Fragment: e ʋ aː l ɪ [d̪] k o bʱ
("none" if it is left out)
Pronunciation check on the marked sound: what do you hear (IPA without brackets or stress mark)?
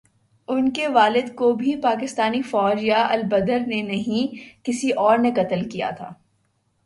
d̪